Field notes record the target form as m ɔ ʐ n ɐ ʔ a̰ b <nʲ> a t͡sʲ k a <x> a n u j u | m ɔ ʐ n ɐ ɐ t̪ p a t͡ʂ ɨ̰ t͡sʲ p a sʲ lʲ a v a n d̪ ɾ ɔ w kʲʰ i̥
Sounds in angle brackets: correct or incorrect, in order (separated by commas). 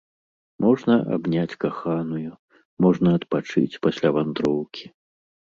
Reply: correct, correct